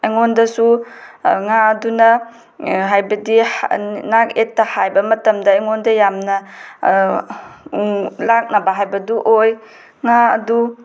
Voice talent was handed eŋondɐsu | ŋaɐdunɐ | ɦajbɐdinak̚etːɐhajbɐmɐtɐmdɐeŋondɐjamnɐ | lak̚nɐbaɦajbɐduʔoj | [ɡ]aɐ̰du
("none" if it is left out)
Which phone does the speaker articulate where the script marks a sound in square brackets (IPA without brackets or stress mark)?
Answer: ŋ